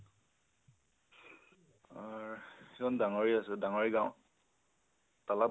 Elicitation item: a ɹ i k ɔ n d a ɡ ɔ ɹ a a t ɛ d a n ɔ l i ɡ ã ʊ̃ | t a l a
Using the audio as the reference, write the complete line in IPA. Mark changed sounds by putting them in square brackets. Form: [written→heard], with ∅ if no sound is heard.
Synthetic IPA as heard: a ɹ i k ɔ n d a [ɡ→ŋ] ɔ ɹ [a→i] a [t→s] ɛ d a [n→ŋ] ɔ [l→ɹ] i ɡ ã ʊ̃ | t a l a